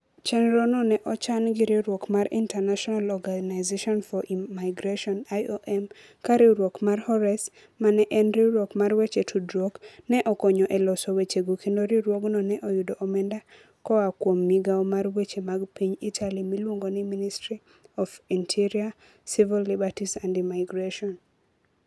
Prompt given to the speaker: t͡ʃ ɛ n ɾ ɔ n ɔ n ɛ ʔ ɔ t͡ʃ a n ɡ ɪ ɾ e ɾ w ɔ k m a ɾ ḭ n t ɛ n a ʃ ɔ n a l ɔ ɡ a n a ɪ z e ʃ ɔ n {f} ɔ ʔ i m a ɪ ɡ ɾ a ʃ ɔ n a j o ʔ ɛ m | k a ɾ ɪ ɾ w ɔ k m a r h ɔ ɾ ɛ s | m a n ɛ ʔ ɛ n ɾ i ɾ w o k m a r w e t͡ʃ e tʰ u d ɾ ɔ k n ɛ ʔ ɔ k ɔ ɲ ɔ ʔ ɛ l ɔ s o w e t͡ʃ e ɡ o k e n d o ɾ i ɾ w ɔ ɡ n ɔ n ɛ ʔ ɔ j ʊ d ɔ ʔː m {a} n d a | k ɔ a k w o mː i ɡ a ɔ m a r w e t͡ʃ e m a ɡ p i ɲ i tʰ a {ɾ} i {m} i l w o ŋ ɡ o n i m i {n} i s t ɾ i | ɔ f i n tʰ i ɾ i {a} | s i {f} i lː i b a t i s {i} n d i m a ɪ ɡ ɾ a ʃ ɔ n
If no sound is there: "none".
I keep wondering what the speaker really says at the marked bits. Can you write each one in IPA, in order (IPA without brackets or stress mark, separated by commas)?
f, ɛ, l, m, n, a, v, a